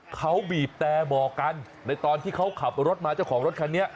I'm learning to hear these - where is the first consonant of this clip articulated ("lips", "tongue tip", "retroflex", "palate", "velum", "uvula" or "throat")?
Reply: velum